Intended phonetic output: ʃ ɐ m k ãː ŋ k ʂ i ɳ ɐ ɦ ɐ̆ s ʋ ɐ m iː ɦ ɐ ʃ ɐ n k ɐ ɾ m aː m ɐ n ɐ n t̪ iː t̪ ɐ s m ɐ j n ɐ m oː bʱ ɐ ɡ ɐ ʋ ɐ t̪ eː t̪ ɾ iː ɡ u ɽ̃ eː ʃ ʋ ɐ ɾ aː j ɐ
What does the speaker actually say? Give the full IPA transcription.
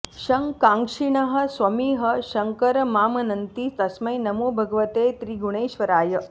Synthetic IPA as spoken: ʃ ɐ ŋ k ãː ŋ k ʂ i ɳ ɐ ɦ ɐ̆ s ʋ ɐ m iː ɦ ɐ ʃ ɐ ŋ k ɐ ɾ m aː m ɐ n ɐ n t̪ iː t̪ ɐ s m ɐ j n ɐ m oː bʱ ɐ ɡ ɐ ʋ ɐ t̪ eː t̪ ɾ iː ɡ u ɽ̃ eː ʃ ʋ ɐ ɾ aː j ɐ